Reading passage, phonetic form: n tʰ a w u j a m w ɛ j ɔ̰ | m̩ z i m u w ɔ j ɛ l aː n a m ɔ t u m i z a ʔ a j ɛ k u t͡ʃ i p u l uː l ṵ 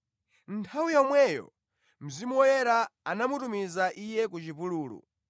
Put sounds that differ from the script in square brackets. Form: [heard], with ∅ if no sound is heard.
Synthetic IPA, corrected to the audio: n tʰ a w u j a m w ɛ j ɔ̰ | m̩ z i m u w ɔ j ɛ [ɾ] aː n a m [u] t u m i z a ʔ [i] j ɛ k u t͡ʃ i p u l uː l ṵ

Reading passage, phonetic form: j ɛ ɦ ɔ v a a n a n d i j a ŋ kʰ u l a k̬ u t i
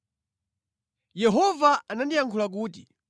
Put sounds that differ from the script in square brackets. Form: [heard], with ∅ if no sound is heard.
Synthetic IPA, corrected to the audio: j ɛ ɦ ɔ v a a n a n d i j a ŋ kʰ u l a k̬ [uː] t i

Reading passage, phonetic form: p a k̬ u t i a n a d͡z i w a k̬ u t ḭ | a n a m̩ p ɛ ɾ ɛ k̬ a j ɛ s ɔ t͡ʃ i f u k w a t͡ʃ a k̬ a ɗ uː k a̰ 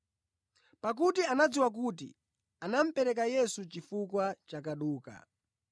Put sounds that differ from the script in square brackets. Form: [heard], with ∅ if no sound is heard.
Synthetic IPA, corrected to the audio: p a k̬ u t i a n a d͡z i w a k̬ u t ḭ | a n a m̩ p ɛ ɾ ɛ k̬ a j ɛ s [u] t͡ʃ i f u k w a t͡ʃ a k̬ a ɗ uː k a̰

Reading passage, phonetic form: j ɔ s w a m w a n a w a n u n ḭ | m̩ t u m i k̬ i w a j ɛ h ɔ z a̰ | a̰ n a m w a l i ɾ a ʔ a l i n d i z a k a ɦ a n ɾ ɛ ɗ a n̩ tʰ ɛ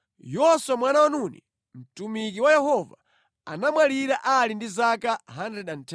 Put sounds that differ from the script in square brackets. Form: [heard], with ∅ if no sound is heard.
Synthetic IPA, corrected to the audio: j ɔ s w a m w a n a w a n u n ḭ | m̩ t u m i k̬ i w a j ɛ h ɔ [v] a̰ | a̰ n a m w a l i ɾ a ʔ a l i n d i z a k a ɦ a n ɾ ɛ ɗ a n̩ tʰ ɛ

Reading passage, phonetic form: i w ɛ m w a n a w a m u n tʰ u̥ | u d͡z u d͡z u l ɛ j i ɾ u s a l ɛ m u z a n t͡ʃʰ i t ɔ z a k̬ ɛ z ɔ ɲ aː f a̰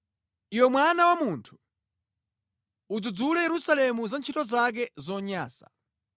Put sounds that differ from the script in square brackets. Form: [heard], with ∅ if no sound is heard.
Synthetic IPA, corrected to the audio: i w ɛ m w a n a w a m u n tʰ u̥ | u d͡z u d͡z u l ɛ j [ɛ] ɾ u s a l ɛ m u z a n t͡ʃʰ i t ɔ z a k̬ ɛ z ɔ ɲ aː [s] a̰

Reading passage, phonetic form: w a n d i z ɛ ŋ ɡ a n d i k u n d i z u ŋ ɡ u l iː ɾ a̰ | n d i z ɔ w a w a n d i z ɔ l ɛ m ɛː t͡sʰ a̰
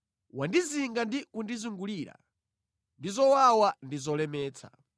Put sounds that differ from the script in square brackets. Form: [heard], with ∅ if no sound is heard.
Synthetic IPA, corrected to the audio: w a n d i z [i] ŋ ɡ a n d i k u n d i z u ŋ ɡ u l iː ɾ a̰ | n d i z ɔ w a w a n d i z ɔ l ɛ m ɛː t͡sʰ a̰

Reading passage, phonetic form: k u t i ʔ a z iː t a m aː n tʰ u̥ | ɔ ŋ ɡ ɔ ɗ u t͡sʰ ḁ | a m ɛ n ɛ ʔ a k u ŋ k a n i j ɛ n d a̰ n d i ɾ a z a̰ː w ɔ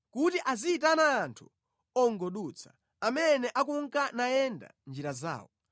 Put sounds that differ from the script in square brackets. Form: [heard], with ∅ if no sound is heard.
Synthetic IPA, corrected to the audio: k u t i ʔ a z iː t a [n] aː n tʰ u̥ | ɔ ŋ ɡ ɔ ɗ u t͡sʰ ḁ | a m ɛ n ɛ ʔ a k u ŋ k a n [a] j ɛ n d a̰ n [d͡ʒ] i ɾ a z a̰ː w ɔ

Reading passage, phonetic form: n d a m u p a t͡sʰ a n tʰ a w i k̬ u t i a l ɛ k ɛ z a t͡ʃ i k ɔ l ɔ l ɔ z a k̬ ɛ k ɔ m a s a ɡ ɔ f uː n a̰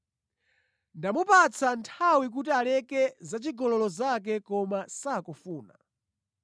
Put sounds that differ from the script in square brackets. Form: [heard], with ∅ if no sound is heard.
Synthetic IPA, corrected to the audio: n d a m u p a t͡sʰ a n tʰ a w i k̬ u t i a l ɛ k ɛ z a t͡ʃ i [ɡ] ɔ l ɔ l ɔ z a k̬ ɛ k ɔ m a s a [k] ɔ f uː n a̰

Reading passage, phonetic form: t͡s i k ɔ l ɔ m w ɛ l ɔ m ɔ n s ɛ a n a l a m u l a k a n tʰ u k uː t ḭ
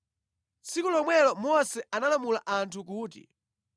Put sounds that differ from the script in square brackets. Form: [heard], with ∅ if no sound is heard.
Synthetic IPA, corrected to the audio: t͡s i k [u] l ɔ m w ɛ l ɔ m ɔ [∅] s ɛ a n a l a m u l a [ʔ] a n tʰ u k uː t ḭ

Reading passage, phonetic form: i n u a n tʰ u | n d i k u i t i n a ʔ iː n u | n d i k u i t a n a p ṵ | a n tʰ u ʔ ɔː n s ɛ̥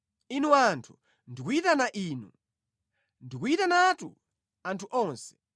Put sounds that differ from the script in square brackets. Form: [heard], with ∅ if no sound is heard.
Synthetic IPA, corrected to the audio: i n u a n tʰ u | n d i k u i t [a] n a ʔ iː n u | n d i k u i t a n a [t] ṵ | a n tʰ u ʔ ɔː n s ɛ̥

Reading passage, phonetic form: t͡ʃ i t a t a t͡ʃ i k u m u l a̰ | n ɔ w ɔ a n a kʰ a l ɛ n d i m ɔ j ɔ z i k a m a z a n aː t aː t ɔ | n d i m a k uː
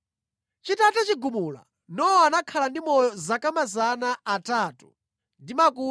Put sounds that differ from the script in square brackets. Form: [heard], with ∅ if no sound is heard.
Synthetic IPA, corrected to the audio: t͡ʃ i t a t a t͡ʃ i [ɡ] u m u l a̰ | n ɔ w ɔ a n a kʰ a l [a] n d i m ɔ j ɔ z [a] k a m a z a n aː t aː t [u] | n d i m a k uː

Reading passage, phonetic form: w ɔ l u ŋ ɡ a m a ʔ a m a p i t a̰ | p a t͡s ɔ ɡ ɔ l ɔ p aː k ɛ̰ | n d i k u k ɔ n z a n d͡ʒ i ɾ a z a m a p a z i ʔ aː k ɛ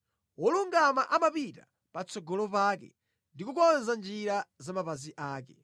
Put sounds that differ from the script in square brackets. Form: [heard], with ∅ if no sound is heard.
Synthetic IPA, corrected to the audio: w ɔ l u ŋ ɡ a m a ʔ a m a p i t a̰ | p a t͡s ɔ ɡ ɔ l ɔ p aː k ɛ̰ | n d i k u k ɔ n z a n d͡ʒ i ɾ a z a m a p a z i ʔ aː k ɛ

